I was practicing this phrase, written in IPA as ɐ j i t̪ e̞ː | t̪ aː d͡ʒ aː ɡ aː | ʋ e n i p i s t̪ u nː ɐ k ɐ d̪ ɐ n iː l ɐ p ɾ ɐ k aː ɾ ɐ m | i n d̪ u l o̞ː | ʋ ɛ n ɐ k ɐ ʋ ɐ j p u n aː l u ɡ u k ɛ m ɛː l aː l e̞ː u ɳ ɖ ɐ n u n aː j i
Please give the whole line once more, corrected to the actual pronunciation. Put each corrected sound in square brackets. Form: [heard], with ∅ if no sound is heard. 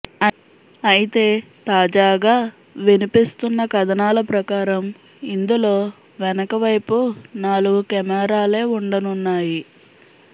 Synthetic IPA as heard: ɐ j i t̪ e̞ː | t̪ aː d͡ʒ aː ɡ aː | ʋ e n i p i s t̪ u nː ɐ k ɐ d̪ ɐ n [aː] l ɐ p ɾ ɐ k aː ɾ ɐ m | i n d̪ u l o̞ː | ʋ ɛ n ɐ k ɐ ʋ ɐ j p u n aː l u ɡ u k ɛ m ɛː [ɾ] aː l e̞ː u ɳ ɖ ɐ n u [nː] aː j i

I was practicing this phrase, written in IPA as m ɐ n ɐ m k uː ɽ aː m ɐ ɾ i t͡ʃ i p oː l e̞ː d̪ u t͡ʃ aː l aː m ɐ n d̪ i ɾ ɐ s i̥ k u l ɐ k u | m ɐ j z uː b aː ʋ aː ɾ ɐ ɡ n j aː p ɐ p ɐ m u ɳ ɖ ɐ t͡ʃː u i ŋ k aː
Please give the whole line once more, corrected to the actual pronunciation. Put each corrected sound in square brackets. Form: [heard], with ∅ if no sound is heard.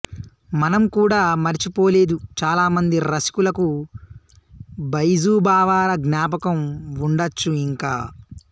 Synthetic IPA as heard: m ɐ n ɐ m k uː ɽ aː m ɐ ɾ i t͡ʃ i p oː l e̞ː d̪ u t͡ʃ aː l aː m ɐ n d̪ i ɾ ɐ s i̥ k u l ɐ k u | [b] ɐ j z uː b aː ʋ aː ɾ ɐ ɡ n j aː p ɐ [k] ɐ m u ɳ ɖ ɐ t͡ʃː u i ŋ k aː

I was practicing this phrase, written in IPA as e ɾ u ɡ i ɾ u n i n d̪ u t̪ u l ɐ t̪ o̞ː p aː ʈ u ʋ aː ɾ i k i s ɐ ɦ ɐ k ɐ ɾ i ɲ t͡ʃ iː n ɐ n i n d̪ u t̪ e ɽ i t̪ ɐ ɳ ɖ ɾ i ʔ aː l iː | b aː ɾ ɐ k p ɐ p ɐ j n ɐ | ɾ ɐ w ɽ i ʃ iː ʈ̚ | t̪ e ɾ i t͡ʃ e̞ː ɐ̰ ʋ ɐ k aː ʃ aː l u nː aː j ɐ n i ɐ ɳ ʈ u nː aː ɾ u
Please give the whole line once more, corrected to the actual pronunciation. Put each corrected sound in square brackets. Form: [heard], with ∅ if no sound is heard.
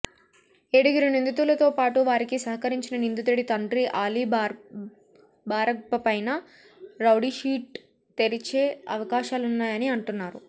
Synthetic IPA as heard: e [ɽ] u ɡ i ɾ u n i n d̪ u t̪ u l ɐ t̪ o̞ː p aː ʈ u ʋ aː ɾ i k i s ɐ ɦ ɐ k ɐ ɾ i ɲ t͡ʃ [i] n ɐ n i n d̪ u t̪ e ɽ i t̪ ɐ ɳ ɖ ɾ i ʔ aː l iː | b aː ɾ ɐ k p ɐ p ɐ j n ɐ | ɾ ɐ w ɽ i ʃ iː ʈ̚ | t̪ e ɾ i t͡ʃ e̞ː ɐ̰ ʋ ɐ k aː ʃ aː l u nː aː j ɐ n i ɐ ɳ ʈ u nː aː ɾ u

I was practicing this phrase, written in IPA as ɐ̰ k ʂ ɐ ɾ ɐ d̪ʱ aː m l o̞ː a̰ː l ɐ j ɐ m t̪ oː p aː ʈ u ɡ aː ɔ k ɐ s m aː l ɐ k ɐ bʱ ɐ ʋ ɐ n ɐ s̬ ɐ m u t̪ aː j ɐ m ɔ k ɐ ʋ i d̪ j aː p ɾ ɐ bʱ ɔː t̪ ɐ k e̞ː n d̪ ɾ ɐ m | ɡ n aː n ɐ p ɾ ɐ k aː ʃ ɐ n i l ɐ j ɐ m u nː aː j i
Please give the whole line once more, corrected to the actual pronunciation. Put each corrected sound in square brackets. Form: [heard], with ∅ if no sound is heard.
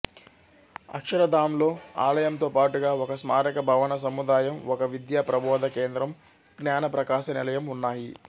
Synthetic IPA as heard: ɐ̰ k ʂ ɐ ɾ ɐ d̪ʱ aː m l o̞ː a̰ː l ɐ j ɐ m t̪ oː p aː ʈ u ɡ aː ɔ k ɐ s m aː [ɾ] ɐ k ɐ bʱ ɐ ʋ ɐ n ɐ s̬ ɐ m u [d̪] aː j ɐ m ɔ k ɐ ʋ i d̪ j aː p ɾ ɐ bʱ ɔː [d̪] ɐ k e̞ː n d̪ ɾ ɐ m | ɡ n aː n ɐ p ɾ ɐ k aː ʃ ɐ n i l ɐ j ɐ m u nː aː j i

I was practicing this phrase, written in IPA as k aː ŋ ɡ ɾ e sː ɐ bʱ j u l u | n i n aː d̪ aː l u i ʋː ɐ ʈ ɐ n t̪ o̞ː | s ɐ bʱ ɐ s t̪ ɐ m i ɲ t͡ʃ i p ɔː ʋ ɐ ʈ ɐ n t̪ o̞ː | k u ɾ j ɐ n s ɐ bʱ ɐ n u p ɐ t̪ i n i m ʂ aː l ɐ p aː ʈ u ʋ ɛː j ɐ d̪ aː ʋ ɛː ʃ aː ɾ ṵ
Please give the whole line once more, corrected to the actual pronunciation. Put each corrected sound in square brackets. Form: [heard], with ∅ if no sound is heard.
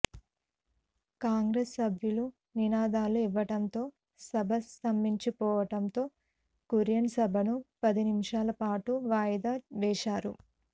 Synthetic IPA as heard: k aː ŋ ɡ ɾ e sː ɐ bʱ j u l u | n i n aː d̪ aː l u i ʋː ɐ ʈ ɐ n t̪ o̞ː | s ɐ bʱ ɐ s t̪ ɐ m i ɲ t͡ʃ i p ɔː ʋ ɐ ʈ ɐ n t̪ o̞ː | k u ɾ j ɐ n s ɐ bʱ ɐ n u p ɐ [d̪] i n i m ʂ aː l ɐ p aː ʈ u ʋ [aː] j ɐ d̪ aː ʋ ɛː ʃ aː ɾ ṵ

